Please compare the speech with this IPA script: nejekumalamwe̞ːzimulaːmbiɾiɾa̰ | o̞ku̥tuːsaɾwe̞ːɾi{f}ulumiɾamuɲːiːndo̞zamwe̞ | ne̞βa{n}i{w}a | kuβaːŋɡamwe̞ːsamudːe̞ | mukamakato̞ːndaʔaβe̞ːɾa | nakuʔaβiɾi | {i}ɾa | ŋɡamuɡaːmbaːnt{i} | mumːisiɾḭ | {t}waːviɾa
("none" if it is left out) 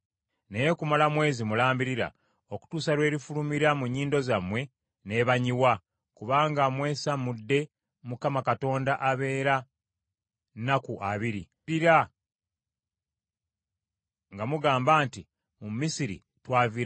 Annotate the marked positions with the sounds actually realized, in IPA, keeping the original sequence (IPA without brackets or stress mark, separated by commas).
f, ɲ, w, i, i, t